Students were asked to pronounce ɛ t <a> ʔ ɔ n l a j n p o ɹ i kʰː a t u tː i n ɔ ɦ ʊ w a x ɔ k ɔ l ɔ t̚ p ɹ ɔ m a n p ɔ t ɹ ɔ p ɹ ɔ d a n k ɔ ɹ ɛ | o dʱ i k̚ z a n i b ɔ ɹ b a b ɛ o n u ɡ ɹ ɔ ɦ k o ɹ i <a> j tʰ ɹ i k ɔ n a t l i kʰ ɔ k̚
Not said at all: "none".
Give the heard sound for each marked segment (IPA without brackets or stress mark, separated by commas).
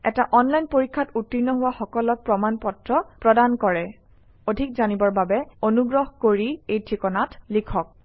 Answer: a, e